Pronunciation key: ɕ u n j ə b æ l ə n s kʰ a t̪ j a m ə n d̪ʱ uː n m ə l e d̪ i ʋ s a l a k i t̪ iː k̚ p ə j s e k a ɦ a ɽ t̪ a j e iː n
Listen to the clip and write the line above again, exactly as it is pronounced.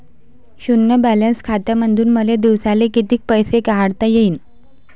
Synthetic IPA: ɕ u n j ə b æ l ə n s kʰ a t̪ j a m ə n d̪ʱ uː n m ə l e d̪ i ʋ s a l e k i t̪ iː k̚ p ə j s e k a ɦ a ɽ t̪ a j e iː n